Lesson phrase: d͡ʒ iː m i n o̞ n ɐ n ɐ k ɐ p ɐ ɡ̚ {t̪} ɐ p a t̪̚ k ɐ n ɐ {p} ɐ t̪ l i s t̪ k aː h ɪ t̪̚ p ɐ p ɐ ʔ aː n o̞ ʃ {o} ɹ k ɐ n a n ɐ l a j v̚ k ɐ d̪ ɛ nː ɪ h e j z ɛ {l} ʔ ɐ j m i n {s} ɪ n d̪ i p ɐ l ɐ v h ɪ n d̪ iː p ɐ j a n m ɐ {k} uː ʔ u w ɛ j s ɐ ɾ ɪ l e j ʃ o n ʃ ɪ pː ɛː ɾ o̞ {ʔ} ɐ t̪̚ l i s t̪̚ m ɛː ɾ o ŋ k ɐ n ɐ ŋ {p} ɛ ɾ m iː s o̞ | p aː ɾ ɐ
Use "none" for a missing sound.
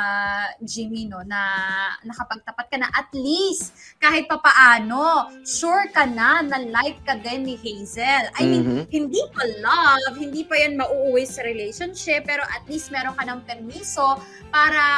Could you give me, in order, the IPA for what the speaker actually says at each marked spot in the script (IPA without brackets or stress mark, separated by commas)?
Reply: t̪, ʔ, u, l, h, ʔ, ʔ, p